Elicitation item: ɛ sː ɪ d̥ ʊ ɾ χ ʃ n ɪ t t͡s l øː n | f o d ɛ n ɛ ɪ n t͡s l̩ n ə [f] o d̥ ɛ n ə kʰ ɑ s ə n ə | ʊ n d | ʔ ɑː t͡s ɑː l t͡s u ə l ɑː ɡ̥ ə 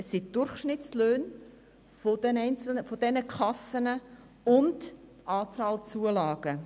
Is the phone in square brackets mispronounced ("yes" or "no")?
no